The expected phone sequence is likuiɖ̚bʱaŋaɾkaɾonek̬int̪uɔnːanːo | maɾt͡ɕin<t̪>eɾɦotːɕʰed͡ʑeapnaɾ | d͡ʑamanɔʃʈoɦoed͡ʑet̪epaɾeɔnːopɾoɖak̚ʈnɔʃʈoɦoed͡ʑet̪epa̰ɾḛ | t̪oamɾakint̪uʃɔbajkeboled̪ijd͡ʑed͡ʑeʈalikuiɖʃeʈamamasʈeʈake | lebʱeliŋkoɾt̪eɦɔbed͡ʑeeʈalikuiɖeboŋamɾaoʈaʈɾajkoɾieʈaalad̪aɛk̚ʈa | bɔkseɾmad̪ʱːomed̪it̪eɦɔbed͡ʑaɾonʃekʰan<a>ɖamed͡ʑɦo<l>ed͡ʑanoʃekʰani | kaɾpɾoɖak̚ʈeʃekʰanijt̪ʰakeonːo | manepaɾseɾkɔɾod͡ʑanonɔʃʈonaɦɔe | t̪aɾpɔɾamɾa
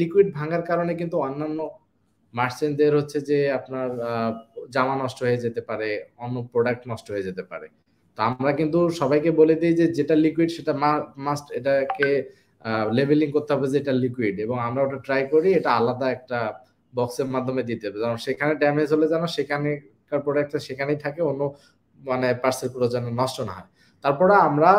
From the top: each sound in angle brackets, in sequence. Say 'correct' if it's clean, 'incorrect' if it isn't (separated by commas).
incorrect, incorrect, correct